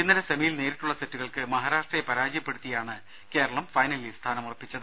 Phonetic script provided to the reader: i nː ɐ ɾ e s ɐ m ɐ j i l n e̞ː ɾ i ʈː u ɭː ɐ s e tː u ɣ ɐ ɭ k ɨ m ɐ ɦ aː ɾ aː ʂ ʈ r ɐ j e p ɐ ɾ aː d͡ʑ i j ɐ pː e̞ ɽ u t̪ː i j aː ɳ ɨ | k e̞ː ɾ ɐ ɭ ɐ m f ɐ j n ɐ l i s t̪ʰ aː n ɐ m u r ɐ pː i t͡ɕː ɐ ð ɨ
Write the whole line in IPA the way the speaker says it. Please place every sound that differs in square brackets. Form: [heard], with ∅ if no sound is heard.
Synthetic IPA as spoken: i nː ɐ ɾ e s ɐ m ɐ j i l n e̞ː ɾ i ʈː u ɭː ɐ s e tː u ɣ ɐ ɭ k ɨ m ɐ ɦ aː ɾ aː ʂ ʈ r ɐ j e p ɐ ɾ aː d͡ʑ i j ɐ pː e̞ ɽ u t̪ː i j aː ɳ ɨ | k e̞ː ɾ ɐ ɭ ɐ m f ɐ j n ɐ l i s t̪ʰ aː n ɐ m u r ɐ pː i t͡ɕː ɐ ð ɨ